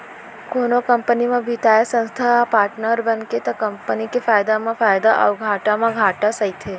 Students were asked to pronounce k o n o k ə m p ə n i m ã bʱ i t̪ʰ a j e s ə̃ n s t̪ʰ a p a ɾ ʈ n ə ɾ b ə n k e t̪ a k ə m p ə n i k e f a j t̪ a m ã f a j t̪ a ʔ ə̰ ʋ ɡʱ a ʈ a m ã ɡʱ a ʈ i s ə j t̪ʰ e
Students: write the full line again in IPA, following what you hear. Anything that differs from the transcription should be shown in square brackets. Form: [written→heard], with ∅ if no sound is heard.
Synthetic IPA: k o n o k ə m p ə n i m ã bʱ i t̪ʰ a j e s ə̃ n s t̪ʰ a p a ɾ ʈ n ə ɾ b ə n k e t̪ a k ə m p ə n i k e f a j [t̪→d̪] a m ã f a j [t̪→d̪] a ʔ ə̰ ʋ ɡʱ a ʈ a m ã ɡʱ a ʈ [i→a] s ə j t̪ʰ e